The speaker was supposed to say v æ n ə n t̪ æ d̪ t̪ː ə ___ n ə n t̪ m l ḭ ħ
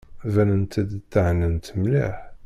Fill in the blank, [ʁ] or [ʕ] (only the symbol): ʕ